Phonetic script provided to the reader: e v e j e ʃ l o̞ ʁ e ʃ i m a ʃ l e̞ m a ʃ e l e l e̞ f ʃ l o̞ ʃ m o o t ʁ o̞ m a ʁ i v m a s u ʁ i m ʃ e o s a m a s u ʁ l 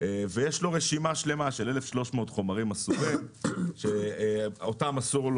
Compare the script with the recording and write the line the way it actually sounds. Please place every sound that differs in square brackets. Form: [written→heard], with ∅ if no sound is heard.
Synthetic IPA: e v e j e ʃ l o̞ ʁ e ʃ i m a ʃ l e̞ m a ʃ e l e l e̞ f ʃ l o̞ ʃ m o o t [ʁ→χ] o̞ m a ʁ i [v→∅] m a s u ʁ i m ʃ e o [s→t] a m a s u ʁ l